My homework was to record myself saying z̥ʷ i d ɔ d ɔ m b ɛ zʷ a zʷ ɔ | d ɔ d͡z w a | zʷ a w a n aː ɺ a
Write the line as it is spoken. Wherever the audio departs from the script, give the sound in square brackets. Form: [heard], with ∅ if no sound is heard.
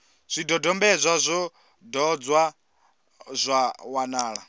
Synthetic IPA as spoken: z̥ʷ i d ɔ d ɔ m b ɛ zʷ a zʷ ɔ | d ɔ d͡z w a | zʷ a w a n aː ɺ a